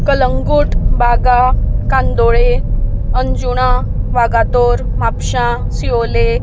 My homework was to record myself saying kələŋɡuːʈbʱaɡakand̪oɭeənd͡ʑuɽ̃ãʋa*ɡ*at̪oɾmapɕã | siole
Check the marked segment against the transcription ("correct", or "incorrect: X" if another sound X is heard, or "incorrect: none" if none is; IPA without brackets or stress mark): correct